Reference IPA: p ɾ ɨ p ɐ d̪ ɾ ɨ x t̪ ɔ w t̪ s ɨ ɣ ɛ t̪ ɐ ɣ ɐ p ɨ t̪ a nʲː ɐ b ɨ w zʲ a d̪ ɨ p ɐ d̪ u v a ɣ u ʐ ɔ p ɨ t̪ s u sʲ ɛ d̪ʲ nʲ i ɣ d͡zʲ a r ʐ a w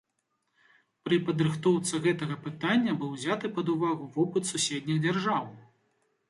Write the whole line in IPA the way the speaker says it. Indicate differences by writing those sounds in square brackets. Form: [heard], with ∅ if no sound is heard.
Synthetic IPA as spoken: p ɾ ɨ p ɐ d̪ ɾ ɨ x t̪ ɔ w t̪ s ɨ ɣ ɛ t̪ ɐ ɣ ɐ p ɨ t̪ a nʲː ɐ b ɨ w zʲ a [t̪] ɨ p ɐ d̪ u v a ɣ u [v] ɔ p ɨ t̪ s u sʲ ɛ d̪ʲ nʲ i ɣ d͡zʲ a r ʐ a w